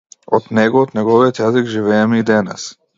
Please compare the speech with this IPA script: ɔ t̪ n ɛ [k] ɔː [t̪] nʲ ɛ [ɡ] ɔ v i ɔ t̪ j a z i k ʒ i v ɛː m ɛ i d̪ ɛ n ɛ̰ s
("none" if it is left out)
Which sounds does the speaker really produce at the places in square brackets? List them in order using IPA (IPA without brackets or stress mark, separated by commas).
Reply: ɡ, t̪, ɡ